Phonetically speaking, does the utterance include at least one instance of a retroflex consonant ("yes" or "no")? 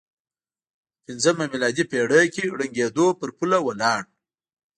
yes